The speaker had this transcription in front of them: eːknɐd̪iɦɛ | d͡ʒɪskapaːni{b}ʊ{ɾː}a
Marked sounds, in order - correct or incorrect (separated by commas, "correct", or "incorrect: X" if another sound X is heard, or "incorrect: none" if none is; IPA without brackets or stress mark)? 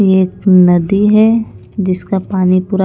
incorrect: p, incorrect: ɾ